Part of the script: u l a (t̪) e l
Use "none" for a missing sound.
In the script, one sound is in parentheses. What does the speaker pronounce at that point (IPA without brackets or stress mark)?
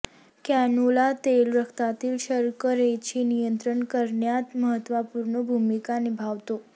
t̪